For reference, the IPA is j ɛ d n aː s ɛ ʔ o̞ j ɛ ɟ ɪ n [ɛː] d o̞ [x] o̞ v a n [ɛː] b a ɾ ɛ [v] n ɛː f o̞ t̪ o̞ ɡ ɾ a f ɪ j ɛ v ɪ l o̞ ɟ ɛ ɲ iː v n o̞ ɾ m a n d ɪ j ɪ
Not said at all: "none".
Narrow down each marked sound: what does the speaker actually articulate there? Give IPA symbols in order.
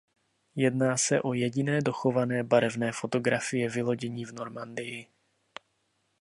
ɛː, x, ɛː, v

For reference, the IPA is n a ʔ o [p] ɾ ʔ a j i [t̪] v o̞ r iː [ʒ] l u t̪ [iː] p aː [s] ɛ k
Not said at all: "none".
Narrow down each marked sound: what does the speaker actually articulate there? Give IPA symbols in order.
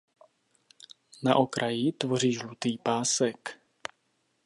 k, t̪, ʒ, iː, s

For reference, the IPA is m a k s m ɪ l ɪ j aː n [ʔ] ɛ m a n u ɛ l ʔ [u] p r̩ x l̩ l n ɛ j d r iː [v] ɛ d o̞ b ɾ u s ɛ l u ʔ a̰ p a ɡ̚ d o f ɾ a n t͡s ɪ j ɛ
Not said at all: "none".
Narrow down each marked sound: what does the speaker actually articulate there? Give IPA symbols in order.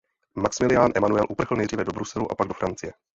ʔ, u, v

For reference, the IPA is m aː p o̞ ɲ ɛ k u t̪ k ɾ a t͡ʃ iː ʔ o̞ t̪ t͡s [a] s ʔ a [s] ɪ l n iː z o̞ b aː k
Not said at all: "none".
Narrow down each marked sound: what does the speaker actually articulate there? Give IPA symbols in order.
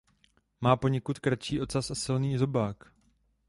a, s

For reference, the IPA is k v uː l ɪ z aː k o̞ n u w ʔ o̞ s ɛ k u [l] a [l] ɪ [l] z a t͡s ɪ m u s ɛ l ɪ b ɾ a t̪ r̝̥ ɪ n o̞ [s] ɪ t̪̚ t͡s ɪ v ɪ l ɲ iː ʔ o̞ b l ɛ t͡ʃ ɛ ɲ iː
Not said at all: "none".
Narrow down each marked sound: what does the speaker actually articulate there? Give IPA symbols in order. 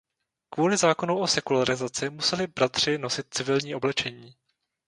l, ɾ, none, s

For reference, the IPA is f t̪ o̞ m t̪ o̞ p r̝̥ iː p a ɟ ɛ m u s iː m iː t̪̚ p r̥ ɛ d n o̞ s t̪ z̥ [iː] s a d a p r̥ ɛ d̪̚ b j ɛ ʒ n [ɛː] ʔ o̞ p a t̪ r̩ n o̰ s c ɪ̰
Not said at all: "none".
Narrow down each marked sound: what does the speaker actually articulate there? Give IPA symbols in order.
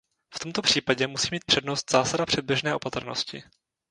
aː, ɛː

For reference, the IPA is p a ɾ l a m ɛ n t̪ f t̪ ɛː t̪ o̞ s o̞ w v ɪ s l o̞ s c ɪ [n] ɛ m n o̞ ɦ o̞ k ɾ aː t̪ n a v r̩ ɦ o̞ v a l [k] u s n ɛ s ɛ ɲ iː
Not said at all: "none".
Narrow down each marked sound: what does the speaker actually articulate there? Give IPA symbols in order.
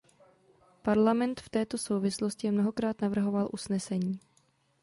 none, ʔ

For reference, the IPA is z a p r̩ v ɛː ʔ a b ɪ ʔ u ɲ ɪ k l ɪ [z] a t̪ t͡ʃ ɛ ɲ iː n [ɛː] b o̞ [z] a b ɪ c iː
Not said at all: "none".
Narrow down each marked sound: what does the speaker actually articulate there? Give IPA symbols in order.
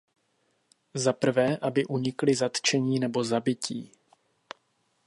z, ɛ, z

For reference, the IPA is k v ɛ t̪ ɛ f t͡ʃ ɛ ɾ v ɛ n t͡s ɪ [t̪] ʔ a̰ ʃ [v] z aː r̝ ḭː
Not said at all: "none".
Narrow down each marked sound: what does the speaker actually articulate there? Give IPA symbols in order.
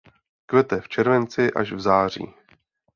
none, v

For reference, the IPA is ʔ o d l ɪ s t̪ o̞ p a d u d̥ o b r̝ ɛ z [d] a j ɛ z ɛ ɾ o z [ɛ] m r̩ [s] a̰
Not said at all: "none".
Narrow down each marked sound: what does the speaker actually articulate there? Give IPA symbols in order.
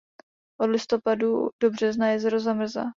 n, a, z

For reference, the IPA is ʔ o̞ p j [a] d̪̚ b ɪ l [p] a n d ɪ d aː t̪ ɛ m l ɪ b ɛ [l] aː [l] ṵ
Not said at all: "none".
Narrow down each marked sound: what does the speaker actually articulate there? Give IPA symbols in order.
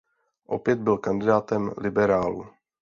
ɛ, k, ɾ, l

